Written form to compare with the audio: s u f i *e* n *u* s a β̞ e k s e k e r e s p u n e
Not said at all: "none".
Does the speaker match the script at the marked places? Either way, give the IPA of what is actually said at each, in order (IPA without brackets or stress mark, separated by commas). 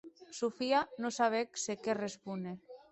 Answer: a, o